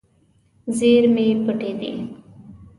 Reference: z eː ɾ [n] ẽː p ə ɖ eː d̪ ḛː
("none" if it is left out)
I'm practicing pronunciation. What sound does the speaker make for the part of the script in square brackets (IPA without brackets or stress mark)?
m